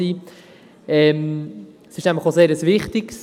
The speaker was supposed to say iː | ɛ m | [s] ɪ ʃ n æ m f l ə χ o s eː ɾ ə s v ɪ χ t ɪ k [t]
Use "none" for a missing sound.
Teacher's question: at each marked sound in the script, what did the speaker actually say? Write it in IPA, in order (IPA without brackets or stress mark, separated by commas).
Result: s, s